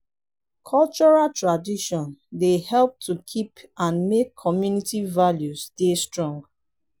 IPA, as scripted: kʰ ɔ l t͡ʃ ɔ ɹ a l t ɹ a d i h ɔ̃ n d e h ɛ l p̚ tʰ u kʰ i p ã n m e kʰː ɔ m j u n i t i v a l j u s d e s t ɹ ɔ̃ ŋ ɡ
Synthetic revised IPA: kʰ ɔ l t͡ʃ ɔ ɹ a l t ɹ a d i ʃ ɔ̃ n d e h ɛ l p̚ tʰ u kʰ i p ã n m e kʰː ɔ m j u n i t i v a l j u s d e s t ɹ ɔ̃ ŋ ɡ